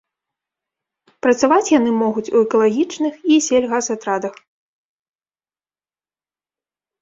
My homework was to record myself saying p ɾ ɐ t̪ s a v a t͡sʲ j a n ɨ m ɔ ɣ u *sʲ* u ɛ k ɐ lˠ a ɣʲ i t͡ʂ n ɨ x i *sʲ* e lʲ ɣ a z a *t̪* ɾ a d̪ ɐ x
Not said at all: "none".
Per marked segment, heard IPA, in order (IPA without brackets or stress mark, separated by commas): t͡sʲ, sʲ, t̪